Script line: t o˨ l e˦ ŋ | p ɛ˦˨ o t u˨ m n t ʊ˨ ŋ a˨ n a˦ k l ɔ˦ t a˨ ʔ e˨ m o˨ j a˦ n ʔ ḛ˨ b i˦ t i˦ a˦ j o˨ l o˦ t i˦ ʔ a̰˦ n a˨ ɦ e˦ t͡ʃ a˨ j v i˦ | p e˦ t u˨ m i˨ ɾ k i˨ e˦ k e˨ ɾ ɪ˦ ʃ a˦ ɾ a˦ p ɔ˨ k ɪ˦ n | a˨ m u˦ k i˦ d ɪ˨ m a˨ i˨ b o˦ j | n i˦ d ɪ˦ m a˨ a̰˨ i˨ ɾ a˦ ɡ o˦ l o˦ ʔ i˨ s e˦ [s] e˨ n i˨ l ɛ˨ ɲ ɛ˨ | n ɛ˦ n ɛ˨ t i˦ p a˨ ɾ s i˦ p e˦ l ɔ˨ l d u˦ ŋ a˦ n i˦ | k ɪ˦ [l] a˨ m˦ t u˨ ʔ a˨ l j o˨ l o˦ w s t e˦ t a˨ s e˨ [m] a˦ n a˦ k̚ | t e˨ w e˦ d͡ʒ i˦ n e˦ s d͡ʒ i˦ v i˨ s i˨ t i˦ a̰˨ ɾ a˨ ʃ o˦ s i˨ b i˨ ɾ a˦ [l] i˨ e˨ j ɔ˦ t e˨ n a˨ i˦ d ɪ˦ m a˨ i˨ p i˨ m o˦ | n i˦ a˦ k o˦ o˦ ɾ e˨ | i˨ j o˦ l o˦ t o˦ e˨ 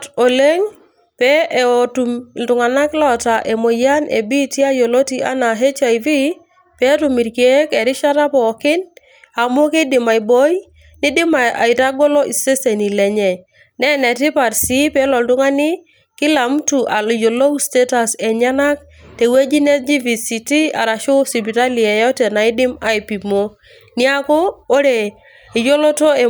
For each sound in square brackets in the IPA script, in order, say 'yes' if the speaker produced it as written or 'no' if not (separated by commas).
yes, yes, no, yes